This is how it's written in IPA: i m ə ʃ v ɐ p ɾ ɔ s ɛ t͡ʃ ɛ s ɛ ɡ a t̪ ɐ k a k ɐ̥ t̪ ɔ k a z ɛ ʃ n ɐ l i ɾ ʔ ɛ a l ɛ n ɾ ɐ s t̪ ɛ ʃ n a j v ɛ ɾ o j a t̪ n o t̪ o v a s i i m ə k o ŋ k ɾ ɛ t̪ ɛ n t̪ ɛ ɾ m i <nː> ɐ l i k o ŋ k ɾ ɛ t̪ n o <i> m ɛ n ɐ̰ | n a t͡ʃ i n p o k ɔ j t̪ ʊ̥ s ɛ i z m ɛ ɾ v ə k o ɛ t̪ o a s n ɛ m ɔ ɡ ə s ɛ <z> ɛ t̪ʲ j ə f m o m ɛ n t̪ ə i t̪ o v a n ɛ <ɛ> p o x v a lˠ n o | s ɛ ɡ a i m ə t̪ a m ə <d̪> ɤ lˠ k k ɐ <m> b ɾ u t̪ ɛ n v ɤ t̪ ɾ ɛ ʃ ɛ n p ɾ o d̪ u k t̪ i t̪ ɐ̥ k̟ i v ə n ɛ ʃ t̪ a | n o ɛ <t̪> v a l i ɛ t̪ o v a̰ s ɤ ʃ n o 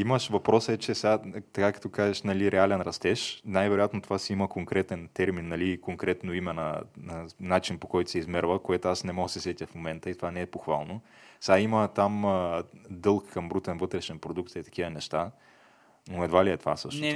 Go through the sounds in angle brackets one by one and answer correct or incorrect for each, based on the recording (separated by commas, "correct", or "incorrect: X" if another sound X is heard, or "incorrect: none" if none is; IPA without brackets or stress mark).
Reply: correct, correct, incorrect: s, correct, correct, correct, incorrect: d̪